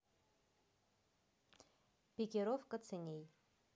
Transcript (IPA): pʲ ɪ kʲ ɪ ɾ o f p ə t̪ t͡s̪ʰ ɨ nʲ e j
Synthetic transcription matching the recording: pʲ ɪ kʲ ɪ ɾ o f k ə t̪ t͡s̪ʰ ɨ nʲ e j

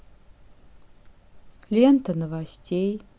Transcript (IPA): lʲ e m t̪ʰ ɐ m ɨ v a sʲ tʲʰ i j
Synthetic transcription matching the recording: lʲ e n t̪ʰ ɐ n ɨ v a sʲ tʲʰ e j

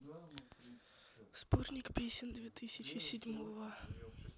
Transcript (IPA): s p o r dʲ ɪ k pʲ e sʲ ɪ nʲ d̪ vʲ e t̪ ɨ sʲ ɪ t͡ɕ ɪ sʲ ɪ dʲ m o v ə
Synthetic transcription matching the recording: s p o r nʲ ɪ k pʲ e sʲ ɪ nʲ d̪ vʲ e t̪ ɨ sʲ ɪ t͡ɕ ɪ sʲ ɪ dʲ m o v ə

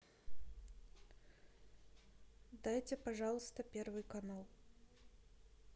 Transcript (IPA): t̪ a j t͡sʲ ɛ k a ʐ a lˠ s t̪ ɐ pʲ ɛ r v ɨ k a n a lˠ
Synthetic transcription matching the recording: d̪ a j t͡sʲ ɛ p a ʐ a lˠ s t̪ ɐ pʲ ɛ r v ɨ k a n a lˠ

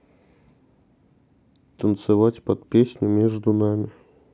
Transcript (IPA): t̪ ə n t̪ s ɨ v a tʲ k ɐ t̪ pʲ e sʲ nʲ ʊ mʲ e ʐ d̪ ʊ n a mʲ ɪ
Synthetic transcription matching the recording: t̪ ə n t̪ s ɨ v a tʲ p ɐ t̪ pʲ e sʲ nʲ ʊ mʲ e ʐ d̪ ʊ n a mʲ ɪ

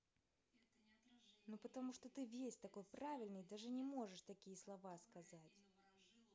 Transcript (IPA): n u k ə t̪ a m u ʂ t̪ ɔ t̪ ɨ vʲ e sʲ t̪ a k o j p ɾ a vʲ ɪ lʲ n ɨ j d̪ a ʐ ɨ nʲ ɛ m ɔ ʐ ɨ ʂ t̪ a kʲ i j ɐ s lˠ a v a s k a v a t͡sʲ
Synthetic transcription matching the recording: n u p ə t̪ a m u ʂ t̪ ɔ t̪ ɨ vʲ e sʲ t̪ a k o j p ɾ a vʲ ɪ lʲ n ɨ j d̪ a ʐ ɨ nʲ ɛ m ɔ ʐ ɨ ʂ t̪ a kʲ i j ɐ s lˠ a v a s k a z a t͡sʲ

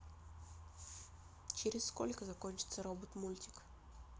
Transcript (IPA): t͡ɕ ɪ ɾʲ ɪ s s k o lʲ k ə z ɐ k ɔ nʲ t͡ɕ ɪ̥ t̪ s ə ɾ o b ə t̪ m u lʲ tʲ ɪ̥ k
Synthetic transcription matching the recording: t͡ɕ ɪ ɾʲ ɪ s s k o lʲ k ə z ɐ k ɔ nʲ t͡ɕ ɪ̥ t̪ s ə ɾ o b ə t̪ m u lʲ tʲ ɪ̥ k

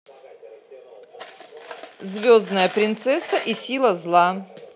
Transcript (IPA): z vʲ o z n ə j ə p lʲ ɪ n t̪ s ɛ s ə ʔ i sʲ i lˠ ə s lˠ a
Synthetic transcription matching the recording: z vʲ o z n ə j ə p ɾʲ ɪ n t̪ s ɛ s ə ʔ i sʲ i lˠ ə z lˠ a

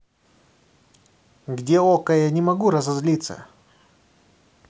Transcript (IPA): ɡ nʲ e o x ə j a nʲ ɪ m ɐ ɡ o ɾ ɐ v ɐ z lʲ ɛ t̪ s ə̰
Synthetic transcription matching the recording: ɡ dʲ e o k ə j a nʲ ɪ m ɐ ɡ u ɾ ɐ z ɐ z lʲ i t̪ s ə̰

